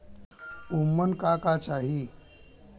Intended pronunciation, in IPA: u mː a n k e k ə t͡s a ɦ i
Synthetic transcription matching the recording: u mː ə n k a k a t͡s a ɦ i

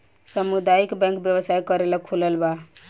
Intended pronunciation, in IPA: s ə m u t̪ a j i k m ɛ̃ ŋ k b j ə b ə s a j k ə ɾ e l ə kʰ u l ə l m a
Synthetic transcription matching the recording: s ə m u d̪ a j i k b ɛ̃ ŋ k b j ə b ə s a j k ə ɾ e l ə kʰ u l ə l b a

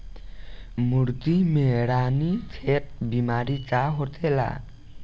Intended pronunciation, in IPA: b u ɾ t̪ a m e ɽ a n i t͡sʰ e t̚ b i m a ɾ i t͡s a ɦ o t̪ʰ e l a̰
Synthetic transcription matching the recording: m u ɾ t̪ i m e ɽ a n i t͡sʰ e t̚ b i m a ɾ i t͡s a ɦ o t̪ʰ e l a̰

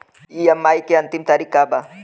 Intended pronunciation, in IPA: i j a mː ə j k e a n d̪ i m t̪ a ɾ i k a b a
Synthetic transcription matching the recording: i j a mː a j k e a n t̪ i m t̪ a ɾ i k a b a

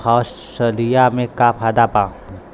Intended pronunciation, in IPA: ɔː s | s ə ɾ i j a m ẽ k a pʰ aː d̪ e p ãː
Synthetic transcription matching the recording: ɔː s | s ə l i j a m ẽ k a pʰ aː d̪ a p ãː

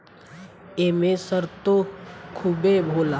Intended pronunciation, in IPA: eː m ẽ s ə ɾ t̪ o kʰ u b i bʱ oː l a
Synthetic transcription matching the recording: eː m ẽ s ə ɾ t̪ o kʰ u b e bʱ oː l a

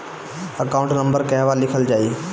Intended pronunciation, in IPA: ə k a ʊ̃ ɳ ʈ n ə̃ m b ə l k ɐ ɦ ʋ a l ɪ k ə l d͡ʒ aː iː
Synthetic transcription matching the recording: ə k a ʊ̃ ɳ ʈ n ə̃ m b ə ɾ k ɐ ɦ ʋ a l ɪ kʰ ə l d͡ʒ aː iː

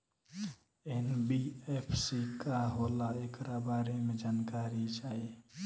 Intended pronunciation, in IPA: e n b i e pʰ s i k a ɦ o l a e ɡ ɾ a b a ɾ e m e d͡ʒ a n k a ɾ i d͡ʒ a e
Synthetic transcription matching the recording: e n b i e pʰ s i k a ɦ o l a e k ɾ a b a ɾ e m e d͡ʒ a n k a ɾ i d͡ʒ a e

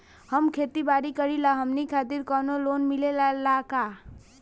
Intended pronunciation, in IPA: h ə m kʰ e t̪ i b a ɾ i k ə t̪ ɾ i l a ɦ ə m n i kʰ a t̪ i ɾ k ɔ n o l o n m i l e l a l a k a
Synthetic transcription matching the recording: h ə m kʰ e t̪ i b a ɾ i k ə ɾ i l a ɦ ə m n i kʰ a t̪ i ɾ k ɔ n o l o n m i l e l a l a k a

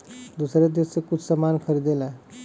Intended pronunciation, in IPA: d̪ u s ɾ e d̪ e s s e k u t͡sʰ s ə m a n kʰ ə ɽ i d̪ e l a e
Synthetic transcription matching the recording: d̪ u s ɾ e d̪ e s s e k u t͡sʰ s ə m a n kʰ ə ɾ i d̪ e l a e

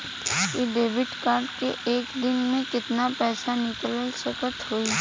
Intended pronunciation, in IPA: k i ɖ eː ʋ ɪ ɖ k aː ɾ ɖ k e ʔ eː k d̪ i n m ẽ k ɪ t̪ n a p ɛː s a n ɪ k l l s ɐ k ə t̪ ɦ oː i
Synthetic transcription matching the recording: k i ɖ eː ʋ ɪ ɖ k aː ɾ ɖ k e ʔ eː k d̪ ɪ n m ẽ k ɪ t̪ n a p ɛː s a n ɪ k l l s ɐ k ə t̪ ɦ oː i

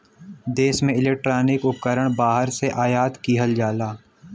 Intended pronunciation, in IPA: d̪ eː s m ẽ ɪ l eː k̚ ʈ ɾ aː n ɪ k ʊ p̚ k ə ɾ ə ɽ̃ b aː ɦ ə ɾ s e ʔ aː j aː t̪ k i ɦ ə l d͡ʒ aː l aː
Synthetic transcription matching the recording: d̪ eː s m ẽ ɪ l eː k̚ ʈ ɾ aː n ɪ k ʊ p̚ k ə ɾ ə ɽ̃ b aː ɦ ə ɾ s e ʔ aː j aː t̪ k i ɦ ə l d͡ʒ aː l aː

